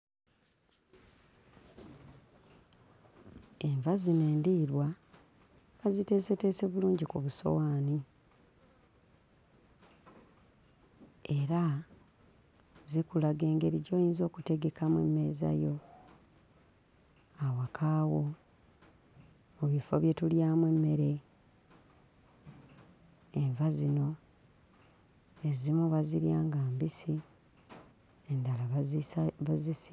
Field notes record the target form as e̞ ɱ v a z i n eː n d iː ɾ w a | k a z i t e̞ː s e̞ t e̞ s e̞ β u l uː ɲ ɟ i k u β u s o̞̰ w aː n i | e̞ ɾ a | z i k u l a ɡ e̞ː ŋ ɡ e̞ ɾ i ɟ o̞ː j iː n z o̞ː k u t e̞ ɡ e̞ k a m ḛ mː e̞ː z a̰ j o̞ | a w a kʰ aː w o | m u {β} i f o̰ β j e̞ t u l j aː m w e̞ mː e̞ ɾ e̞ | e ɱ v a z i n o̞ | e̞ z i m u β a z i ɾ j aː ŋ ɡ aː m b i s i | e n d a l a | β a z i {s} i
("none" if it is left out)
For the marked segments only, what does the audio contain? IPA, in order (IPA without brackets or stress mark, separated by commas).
β, s